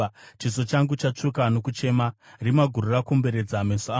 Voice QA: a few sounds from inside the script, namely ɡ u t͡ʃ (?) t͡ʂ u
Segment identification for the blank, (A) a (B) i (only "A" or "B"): A